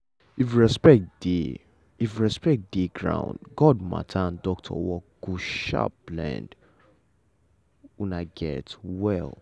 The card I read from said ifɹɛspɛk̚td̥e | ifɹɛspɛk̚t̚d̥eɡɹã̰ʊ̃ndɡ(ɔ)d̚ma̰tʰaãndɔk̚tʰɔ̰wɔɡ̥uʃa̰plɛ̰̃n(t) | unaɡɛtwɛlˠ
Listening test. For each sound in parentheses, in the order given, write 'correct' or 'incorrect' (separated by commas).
correct, incorrect